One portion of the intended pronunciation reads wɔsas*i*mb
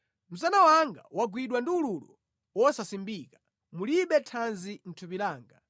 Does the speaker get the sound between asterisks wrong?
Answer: no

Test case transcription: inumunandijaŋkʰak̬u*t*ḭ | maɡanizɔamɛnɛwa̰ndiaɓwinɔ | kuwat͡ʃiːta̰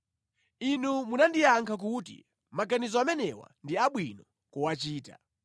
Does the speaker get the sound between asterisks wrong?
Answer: no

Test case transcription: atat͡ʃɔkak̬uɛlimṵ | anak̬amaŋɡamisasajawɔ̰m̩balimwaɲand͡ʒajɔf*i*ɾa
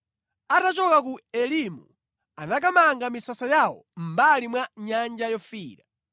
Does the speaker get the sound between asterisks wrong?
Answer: yes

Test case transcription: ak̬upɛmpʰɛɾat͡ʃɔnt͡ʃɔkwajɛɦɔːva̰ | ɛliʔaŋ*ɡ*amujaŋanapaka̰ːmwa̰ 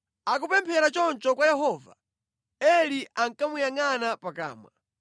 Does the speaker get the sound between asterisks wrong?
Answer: yes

